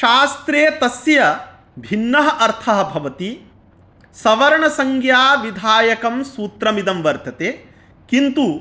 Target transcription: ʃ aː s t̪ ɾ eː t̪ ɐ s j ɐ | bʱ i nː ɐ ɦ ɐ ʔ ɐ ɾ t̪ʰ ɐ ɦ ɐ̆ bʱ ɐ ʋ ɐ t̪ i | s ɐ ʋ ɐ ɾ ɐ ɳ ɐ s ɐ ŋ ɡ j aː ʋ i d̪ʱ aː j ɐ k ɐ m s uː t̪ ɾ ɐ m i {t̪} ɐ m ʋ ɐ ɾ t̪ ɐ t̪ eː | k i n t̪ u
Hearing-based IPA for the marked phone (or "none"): d̪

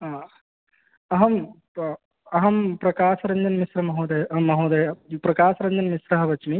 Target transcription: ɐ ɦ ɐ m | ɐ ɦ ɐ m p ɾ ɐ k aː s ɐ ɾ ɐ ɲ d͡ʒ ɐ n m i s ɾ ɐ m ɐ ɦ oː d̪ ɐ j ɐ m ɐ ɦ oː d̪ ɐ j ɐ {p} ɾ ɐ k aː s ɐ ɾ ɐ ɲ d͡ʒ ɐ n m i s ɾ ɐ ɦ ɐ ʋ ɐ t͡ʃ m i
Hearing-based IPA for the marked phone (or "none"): p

